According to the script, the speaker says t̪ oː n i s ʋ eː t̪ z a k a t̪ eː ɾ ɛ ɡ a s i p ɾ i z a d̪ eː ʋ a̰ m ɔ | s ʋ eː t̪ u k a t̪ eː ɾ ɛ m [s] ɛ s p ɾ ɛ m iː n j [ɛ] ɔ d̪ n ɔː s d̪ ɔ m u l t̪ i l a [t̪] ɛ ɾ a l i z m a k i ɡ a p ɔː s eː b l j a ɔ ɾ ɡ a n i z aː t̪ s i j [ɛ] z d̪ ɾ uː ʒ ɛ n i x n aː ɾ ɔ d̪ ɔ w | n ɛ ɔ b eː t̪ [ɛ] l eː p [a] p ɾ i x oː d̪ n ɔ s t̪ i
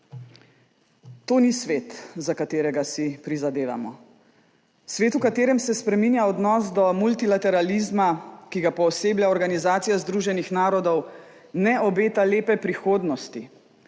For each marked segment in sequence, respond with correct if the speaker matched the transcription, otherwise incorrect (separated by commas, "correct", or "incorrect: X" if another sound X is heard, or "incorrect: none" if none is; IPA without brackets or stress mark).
correct, incorrect: a, correct, incorrect: a, incorrect: a, incorrect: ɛ